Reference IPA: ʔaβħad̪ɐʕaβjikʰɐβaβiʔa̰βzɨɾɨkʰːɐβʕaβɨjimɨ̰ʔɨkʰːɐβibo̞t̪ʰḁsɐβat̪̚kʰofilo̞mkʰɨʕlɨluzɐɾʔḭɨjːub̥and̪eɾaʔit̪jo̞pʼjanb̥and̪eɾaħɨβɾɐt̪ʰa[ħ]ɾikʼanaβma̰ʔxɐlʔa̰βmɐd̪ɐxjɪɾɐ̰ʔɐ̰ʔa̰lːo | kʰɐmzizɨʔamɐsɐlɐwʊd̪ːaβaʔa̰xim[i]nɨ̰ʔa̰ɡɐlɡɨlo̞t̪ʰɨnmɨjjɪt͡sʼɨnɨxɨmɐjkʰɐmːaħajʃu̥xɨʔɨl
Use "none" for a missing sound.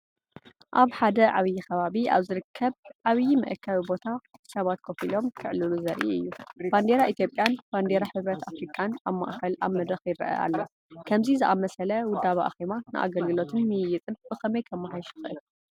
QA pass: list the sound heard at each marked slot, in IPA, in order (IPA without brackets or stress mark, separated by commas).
f, a